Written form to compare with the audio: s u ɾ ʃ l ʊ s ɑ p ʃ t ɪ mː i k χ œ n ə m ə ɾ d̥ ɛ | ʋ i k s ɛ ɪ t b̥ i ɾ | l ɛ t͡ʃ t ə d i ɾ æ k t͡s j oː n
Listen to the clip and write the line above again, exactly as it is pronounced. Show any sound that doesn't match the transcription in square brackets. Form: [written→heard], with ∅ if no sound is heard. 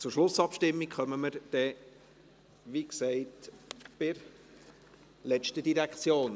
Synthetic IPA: [s→t͡s] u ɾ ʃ l ʊ s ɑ p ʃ t ɪ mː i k χ œ [n→m] ə m ə ɾ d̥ ɛ | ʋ i k s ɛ ɪ t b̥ [i→ɪ] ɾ | l ɛ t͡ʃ t ə d i ɾ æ k t͡s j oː n